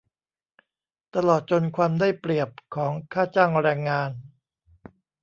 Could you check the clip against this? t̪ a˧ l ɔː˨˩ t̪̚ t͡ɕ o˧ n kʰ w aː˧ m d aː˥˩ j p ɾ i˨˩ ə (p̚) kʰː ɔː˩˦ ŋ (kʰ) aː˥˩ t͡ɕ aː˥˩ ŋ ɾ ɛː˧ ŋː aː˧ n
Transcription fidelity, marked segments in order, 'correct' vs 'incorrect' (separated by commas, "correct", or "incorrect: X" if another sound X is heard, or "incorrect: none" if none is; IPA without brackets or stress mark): correct, correct